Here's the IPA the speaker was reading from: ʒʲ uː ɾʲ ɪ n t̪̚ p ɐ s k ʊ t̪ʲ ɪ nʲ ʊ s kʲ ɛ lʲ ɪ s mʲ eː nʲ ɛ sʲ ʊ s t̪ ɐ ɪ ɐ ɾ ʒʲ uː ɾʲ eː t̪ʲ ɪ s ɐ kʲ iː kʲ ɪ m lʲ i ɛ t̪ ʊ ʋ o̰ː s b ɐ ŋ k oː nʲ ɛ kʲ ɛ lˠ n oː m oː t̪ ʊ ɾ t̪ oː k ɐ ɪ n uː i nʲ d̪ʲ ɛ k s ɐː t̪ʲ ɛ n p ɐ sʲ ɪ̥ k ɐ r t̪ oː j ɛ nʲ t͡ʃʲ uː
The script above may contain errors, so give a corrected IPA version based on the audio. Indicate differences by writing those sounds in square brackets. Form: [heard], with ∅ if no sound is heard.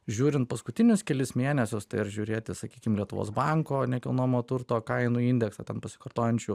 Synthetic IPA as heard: ʒʲ uː ɾʲ ɪ n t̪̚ p ɐ s k ʊ t̪ʲ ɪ nʲ ʊ s kʲ ɛ lʲ ɪ s mʲ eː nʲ ɛ sʲ ʊ s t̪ ɐ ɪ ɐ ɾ ʒʲ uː ɾʲ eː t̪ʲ ɪ s ɐ kʲ iː kʲ ɪ m lʲ i ɛ t̪ ʊ ʋ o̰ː s b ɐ ŋ k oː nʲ ɛ kʲ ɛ lˠ n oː m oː t̪ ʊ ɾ t̪ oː k ɐ ɪ n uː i nʲ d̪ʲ ɛ k s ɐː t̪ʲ ɛ n p ɐ sʲ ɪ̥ k ɐ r t̪ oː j ɛ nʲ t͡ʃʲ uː